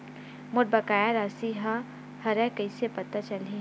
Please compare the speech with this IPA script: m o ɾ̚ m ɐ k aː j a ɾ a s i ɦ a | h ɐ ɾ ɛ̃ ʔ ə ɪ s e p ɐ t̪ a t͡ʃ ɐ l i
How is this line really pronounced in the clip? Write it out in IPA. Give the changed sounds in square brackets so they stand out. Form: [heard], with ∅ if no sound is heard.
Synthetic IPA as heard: m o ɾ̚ [b] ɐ k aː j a ɾ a s i ɦ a | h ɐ ɾ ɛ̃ [k] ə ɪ s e p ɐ t̪ a t͡ʃ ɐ l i